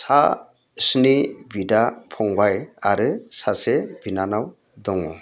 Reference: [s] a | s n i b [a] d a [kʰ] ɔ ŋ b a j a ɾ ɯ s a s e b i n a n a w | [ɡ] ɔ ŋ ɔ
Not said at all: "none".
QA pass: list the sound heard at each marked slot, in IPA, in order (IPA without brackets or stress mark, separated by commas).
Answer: s, i, pʰ, d